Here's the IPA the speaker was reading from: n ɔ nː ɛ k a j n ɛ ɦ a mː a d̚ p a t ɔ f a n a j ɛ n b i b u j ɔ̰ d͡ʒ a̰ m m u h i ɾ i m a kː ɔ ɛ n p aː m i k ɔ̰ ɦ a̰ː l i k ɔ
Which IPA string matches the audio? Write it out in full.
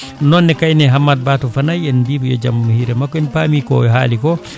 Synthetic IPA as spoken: n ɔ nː ɛ k a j n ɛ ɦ a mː a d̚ b a t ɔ f a n a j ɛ n b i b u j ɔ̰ d͡ʒ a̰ m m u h i ɾ ɛ m a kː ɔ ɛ n p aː m i k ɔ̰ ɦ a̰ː l i k ɔ